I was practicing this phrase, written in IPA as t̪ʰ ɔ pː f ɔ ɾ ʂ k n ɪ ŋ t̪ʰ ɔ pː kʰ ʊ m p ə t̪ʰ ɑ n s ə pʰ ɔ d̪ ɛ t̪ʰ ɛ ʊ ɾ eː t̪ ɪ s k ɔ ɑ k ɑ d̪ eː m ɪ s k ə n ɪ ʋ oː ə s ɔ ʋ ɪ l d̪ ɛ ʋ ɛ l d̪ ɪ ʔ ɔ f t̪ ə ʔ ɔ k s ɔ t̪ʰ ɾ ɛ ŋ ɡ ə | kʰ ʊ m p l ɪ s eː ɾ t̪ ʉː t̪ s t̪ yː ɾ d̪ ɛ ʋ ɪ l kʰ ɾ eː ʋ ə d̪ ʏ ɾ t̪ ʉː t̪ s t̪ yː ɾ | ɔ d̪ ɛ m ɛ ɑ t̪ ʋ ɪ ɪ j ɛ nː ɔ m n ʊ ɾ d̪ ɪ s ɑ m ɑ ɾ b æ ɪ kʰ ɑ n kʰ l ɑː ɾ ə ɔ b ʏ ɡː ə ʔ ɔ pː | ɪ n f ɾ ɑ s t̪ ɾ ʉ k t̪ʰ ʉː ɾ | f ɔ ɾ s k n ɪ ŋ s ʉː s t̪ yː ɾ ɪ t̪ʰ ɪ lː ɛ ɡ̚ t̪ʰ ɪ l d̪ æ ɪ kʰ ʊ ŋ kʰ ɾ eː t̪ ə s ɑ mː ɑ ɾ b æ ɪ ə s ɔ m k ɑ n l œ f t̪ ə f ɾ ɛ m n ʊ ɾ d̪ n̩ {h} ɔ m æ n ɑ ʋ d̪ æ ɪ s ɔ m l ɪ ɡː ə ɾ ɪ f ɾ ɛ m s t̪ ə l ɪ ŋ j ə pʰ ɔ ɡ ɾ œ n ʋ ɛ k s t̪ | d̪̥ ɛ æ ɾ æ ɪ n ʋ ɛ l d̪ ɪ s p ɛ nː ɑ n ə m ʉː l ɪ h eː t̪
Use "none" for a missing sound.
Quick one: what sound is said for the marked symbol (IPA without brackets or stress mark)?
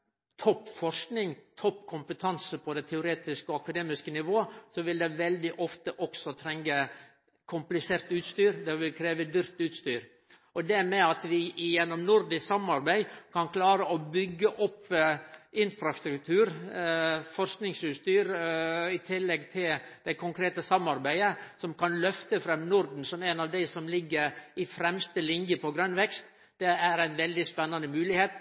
s